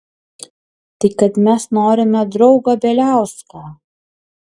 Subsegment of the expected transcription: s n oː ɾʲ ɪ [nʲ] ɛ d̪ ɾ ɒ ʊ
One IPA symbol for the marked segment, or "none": mʲ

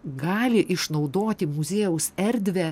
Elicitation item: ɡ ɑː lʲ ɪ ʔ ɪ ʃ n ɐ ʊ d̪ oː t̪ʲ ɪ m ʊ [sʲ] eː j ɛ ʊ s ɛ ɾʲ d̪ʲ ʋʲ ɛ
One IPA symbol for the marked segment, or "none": zʲ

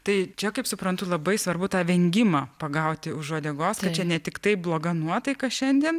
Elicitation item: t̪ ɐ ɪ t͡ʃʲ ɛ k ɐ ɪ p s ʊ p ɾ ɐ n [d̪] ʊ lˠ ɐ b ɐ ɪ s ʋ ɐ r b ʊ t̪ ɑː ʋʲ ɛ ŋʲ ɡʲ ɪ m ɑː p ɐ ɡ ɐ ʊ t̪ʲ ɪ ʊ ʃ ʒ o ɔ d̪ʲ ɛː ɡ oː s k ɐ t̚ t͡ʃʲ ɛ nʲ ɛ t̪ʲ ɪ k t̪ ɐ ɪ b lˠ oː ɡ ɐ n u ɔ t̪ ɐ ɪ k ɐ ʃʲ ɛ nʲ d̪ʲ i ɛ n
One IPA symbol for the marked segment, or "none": t̪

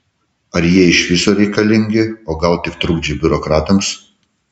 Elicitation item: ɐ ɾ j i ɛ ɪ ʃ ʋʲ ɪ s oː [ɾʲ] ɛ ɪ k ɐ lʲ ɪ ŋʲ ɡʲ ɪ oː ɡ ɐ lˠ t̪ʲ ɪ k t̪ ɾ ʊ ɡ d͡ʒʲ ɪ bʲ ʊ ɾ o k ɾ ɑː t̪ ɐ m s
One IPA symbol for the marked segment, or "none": ɾʲ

